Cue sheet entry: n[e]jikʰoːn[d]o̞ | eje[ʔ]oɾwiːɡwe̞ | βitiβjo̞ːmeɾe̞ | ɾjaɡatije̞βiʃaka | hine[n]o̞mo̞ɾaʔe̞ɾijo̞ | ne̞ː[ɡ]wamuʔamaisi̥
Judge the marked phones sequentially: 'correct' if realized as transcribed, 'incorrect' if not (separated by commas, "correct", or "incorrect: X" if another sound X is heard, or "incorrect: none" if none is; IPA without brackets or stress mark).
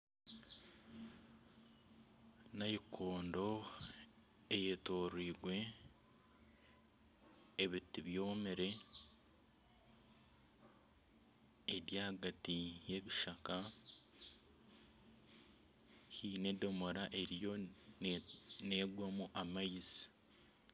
incorrect: a, correct, incorrect: t, incorrect: d, correct